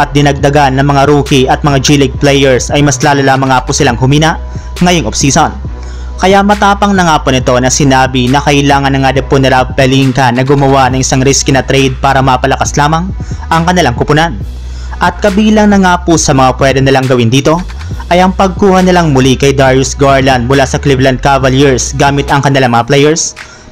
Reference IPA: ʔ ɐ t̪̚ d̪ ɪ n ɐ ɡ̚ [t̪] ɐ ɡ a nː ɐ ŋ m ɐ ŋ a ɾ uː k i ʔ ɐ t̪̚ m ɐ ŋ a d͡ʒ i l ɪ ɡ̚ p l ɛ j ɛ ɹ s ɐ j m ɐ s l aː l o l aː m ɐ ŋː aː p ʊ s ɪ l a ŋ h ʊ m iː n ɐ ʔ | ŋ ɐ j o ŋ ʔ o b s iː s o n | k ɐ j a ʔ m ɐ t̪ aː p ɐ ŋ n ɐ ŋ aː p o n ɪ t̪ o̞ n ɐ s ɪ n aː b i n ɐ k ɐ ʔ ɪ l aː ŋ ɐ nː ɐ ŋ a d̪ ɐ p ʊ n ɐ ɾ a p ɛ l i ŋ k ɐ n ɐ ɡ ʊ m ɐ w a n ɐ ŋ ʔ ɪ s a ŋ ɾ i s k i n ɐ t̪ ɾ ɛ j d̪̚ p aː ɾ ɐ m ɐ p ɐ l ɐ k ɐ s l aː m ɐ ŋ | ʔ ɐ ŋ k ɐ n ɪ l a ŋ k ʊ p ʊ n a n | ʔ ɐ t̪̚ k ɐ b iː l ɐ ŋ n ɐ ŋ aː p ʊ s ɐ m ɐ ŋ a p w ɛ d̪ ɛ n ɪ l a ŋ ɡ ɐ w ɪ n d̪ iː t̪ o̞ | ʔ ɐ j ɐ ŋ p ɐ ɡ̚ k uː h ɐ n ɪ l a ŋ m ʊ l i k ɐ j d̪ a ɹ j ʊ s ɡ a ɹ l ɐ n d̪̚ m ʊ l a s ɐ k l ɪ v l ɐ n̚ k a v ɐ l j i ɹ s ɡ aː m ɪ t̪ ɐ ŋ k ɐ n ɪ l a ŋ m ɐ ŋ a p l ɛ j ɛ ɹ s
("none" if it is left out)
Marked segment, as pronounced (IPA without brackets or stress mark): d̪